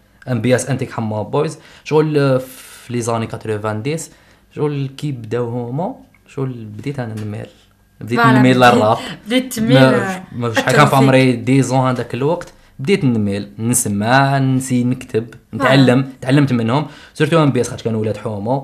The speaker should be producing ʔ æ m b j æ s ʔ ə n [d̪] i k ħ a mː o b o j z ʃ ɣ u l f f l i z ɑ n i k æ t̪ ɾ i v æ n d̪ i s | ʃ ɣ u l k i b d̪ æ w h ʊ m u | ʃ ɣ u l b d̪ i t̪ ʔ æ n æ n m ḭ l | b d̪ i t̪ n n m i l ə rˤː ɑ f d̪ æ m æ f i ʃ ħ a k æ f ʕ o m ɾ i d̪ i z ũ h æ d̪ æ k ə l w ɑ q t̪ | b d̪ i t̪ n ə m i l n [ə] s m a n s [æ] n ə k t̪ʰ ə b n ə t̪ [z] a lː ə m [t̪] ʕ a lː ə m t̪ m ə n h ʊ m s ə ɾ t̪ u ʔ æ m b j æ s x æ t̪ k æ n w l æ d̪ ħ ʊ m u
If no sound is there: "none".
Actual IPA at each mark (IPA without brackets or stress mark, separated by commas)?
t̪, ə, i, ʕ, t̪